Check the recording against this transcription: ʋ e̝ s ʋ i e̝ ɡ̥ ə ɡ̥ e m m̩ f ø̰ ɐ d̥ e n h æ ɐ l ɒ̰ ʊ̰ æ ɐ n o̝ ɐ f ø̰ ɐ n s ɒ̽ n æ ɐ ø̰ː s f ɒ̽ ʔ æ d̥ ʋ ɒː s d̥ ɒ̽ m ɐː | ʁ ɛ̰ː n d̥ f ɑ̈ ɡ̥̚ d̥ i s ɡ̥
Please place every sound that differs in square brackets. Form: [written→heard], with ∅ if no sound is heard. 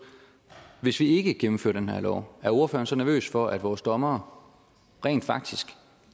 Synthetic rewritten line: ʋ e̝ s ʋ i e̝ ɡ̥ ə ɡ̥ e m m̩ f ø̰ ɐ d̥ e n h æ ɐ l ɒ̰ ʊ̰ æ ɐ [n→∅] o̝ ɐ f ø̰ ɐ n s ɒ̽ n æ ɐ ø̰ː s f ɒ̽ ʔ æ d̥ ʋ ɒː s d̥ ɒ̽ m ɐː | ʁ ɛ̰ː n d̥ f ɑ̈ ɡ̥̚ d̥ i s ɡ̥